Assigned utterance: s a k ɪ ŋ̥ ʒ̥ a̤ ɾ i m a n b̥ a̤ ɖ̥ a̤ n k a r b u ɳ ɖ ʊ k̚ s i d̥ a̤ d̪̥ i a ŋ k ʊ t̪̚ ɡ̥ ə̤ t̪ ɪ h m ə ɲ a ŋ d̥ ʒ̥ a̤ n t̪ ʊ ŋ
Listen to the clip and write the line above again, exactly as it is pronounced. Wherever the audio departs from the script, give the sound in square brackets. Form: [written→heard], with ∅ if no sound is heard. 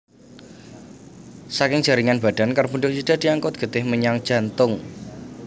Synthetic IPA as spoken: s a k ɪ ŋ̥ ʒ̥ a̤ ɾ i [m→ŋ] a n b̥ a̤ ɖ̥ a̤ n k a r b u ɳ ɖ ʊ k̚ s i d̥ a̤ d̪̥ i a ŋ k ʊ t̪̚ ɡ̥ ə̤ t̪ ɪ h m ə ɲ a ŋ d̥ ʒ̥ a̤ n t̪ ʊ ŋ